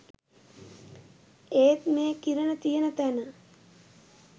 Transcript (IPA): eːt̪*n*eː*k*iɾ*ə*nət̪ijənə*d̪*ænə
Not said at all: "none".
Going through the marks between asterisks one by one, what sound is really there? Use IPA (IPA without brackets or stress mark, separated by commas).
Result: m, k, ə, t̪